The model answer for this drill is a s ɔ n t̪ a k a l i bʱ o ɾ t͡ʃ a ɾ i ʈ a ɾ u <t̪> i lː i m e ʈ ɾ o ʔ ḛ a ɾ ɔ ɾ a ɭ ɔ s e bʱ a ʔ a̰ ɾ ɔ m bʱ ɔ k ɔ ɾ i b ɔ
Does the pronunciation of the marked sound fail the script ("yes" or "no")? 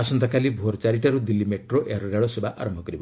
yes